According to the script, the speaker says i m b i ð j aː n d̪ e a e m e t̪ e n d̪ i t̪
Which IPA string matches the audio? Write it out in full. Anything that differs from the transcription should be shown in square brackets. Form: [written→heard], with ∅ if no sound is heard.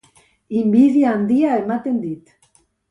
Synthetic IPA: i m b i ð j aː n d̪ [e→i] a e m [e→a] t̪ e n d̪ i t̪

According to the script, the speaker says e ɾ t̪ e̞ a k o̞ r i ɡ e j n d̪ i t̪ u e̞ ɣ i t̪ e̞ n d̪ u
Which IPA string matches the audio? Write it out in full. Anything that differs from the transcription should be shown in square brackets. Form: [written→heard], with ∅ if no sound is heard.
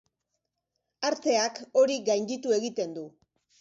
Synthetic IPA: [e→a] ɾ t̪ e̞ a k o̞ [r→ɾ] i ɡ [e→a] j n d̪ i t̪ u e̞ ɣ i t̪ e̞ n d̪ u

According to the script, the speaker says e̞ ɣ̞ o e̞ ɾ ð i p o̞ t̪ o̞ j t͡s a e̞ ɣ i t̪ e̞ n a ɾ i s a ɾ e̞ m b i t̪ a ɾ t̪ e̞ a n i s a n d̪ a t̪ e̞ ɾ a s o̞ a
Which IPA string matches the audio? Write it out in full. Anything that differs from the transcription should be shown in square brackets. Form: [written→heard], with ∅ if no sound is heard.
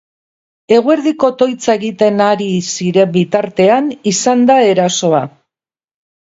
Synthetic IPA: e̞ ɣ̞ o e̞ ɾ ð i [p→k] o̞ t̪ o̞ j t͡s a e̞ ɣ i t̪ e̞ n a ɾ i s [a→i] ɾ e̞ m b i t̪ a ɾ t̪ e̞ a n i s a n d̪ a [t̪→∅] e̞ ɾ a s o̞ a

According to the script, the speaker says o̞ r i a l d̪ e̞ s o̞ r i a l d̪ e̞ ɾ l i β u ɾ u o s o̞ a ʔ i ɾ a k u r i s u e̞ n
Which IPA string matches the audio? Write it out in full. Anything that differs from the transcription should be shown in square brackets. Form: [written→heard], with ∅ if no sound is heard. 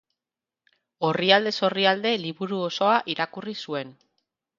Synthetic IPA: o̞ r i a l d̪ e̞ s o̞ r i a l d̪ e̞ [ɾ→∅] l i β u ɾ u o s o̞ a ʔ i ɾ a k u r i s u e̞ n

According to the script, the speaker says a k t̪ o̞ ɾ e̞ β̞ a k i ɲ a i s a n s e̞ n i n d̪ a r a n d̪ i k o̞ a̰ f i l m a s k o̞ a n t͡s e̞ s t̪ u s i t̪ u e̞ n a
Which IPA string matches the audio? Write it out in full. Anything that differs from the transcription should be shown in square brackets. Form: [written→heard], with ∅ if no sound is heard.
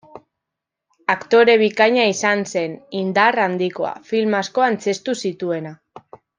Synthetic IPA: a k t̪ o̞ ɾ e̞ β̞ [a→i] k [i→a] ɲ a i s a n s e̞ n i n d̪ a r a n d̪ i k o̞ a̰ f i l m a s k o̞ a n t͡s e̞ s t̪ u s i t̪ u e̞ n a

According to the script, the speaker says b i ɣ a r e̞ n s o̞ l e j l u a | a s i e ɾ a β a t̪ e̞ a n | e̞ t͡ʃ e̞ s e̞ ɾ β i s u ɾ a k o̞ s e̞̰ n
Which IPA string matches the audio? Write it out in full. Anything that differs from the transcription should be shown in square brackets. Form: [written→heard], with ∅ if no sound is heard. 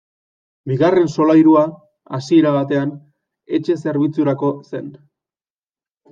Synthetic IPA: b i ɣ a r e̞ n s o̞ l [e→a] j [l→ɾ] u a | a s i e ɾ a β a t̪ e̞ a n | e̞ t͡ʃ e̞ s e̞ ɾ β i [s→t͡s] u ɾ a k o̞ s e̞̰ n

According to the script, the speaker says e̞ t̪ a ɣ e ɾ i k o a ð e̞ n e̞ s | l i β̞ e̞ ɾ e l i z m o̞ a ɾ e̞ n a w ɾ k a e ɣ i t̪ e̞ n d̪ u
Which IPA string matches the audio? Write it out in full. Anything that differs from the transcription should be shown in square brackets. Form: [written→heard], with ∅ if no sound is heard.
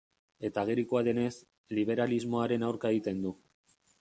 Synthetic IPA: e̞ t̪ a ɣ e ɾ i k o a ð e̞ n e̞ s | l i β̞ e̞ ɾ [e→a] l i z m o̞ a ɾ e̞ n a w ɾ k a e ɣ i t̪ e̞ n d̪ u

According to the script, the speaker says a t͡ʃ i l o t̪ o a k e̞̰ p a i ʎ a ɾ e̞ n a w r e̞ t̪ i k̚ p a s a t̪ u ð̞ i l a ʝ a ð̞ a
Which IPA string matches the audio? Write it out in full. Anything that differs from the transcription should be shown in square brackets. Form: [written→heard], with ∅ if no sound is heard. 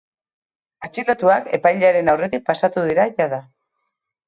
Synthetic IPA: a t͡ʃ i l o t̪ [o→u] a k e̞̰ p a [i→j] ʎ a ɾ e̞ n a w r e̞ t̪ i k̚ p a s a t̪ u ð̞ i [l→ɾ] a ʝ a ð̞ a

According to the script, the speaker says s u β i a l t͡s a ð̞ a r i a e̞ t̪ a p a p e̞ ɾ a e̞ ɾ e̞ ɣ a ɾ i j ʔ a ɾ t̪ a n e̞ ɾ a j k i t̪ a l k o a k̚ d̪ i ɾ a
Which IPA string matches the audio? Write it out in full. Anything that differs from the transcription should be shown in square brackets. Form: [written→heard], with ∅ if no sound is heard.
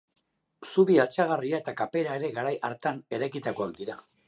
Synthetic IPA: s u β i a l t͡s a [ð̞→ɣ̞] a r i a e̞ t̪ a [p→k] a p e̞ ɾ a e̞ ɾ e̞ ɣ a ɾ [i→a] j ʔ a ɾ t̪ a n e̞ ɾ a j k i t̪ a [l→∅] k o a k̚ d̪ i ɾ a

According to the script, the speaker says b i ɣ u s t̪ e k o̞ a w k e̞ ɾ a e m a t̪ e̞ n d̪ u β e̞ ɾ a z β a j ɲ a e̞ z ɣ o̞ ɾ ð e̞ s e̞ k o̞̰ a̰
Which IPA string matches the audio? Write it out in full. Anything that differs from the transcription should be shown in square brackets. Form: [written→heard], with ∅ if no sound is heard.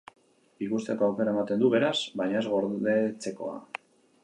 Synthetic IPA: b i ɣ u s t̪ e k o̞ a w k e̞ ɾ a e m a t̪ e̞ n d̪ u β e̞ ɾ a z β a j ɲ a e̞ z ɣ o̞ ɾ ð e̞ [s→t͡s] e̞ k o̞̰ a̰

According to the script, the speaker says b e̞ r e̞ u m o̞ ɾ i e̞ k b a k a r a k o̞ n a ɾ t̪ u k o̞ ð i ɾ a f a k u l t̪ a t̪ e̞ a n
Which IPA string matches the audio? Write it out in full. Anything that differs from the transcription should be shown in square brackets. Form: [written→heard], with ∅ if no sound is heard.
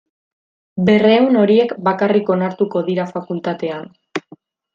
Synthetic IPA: b e̞ r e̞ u [m→n] o̞ ɾ i e̞ k b a k a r [a→i] k o̞ n a ɾ t̪ u k o̞ ð i ɾ a f a k u l t̪ a t̪ e̞ a n

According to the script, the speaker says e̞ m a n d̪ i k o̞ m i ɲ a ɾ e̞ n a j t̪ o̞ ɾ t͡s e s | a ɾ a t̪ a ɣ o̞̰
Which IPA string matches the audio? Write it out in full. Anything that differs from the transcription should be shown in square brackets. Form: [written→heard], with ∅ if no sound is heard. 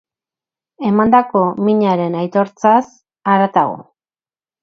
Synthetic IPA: e̞ m a n d̪ [i→a] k o̞ m i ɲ a ɾ e̞ n a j t̪ o̞ ɾ t͡s [e→a] s | a ɾ a t̪ a ɣ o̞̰

